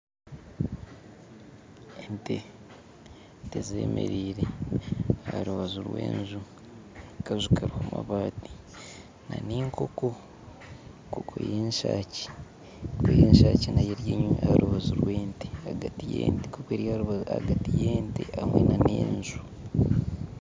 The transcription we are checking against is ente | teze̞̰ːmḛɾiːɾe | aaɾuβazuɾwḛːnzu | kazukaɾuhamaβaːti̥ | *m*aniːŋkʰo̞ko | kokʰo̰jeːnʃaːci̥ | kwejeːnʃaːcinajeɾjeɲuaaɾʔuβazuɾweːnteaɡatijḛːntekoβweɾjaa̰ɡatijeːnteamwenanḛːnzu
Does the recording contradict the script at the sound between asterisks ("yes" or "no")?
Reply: yes